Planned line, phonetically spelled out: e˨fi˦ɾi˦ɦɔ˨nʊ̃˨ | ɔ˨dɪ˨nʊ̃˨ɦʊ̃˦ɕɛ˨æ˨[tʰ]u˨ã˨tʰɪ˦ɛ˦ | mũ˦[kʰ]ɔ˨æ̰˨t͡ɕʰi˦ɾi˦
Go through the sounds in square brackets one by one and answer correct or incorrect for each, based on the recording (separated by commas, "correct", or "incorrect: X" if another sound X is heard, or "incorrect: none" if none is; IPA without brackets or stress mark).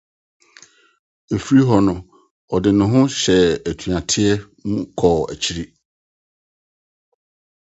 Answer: correct, correct